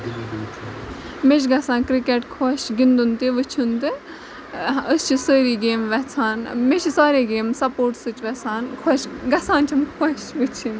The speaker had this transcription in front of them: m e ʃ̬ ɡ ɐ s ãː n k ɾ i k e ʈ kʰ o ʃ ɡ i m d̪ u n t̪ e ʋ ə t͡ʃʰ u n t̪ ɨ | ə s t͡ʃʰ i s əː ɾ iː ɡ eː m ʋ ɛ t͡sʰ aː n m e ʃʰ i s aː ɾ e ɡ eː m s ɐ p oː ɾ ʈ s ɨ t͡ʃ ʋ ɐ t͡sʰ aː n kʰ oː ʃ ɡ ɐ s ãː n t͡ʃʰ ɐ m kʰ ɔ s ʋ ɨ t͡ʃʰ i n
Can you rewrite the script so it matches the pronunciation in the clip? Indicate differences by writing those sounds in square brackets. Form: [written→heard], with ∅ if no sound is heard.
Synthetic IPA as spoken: m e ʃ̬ ɡ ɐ s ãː n k ɾ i k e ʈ kʰ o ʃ ɡ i [m→n] d̪ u n t̪ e ʋ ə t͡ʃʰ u n t̪ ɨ | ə s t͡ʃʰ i s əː ɾ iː ɡ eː m ʋ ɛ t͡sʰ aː n m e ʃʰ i s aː ɾ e ɡ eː m s ɐ p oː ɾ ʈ s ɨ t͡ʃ ʋ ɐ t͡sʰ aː n kʰ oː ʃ ɡ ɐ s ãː n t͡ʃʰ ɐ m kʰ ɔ [s→ʃ] ʋ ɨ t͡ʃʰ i n